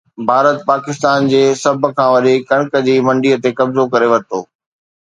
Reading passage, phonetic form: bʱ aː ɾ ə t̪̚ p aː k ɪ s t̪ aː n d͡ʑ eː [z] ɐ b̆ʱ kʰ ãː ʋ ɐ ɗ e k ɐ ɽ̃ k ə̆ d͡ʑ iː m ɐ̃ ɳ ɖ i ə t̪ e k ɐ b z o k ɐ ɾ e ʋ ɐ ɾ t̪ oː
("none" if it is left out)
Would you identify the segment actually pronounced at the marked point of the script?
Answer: s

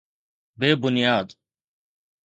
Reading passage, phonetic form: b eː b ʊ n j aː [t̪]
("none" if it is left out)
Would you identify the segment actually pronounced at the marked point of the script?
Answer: d̪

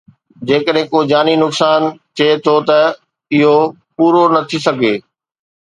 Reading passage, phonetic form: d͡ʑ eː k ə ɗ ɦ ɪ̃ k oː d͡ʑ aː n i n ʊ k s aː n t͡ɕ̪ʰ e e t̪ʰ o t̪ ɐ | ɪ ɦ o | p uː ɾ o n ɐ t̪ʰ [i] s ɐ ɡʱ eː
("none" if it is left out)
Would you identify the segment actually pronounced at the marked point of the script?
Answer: i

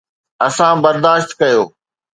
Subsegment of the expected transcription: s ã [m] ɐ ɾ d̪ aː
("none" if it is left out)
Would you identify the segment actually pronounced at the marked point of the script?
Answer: b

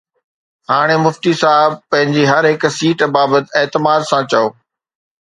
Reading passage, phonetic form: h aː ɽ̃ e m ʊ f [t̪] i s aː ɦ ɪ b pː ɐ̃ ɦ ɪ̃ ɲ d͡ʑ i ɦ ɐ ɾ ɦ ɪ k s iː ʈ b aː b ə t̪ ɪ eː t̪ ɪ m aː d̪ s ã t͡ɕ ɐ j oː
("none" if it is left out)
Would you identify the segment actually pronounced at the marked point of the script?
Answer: t̪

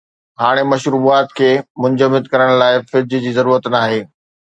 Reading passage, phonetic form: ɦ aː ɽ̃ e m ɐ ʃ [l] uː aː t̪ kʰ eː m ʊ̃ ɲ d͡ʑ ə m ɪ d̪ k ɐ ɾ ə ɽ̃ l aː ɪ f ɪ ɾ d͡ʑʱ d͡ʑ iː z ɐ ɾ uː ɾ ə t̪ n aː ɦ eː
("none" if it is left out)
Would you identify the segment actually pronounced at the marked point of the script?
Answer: ɾ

